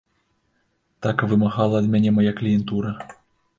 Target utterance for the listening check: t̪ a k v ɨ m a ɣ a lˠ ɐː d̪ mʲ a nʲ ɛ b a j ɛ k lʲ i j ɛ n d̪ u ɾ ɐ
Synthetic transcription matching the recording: t̪ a k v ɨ m a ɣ a lˠ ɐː d̪ mʲ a nʲ ɛ m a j a k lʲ i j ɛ n t̪ u ɾ ɐ

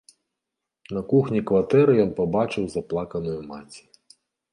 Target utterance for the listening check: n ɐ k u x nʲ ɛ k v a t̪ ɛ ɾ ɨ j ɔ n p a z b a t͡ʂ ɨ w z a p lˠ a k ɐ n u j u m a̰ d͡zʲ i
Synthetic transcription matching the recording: n ɐ k u x nʲ i k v a t̪ ɛ ɾ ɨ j ɔ n p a b a t͡ʂ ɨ w z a p lˠ a k ɐ n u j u m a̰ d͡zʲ i

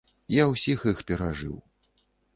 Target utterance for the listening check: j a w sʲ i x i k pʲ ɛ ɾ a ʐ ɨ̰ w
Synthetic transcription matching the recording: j a w sʲ i x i x pʲ ɛ ɾ a ʐ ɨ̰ w

